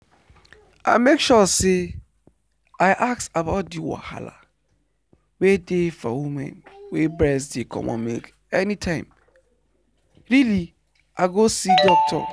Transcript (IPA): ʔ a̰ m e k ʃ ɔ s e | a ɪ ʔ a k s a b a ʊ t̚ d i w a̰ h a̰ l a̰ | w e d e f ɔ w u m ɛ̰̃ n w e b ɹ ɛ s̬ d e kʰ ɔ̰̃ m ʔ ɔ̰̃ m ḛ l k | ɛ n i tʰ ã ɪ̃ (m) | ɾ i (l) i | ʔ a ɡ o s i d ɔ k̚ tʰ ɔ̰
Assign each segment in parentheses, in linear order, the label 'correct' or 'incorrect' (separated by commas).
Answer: correct, correct